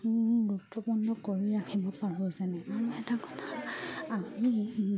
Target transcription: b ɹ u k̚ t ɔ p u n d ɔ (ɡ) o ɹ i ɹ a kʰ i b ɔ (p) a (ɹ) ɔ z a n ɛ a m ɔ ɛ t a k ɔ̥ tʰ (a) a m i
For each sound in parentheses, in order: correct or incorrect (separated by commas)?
incorrect, correct, correct, correct